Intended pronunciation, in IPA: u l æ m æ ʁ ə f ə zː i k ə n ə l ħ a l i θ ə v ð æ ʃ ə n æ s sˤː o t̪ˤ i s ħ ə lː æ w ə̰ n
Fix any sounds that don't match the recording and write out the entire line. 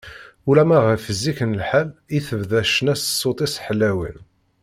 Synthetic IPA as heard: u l æ m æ ʁ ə f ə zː i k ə n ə l ħ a l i θ ə v ð æ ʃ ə n æ s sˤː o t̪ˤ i s ħ ə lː æ w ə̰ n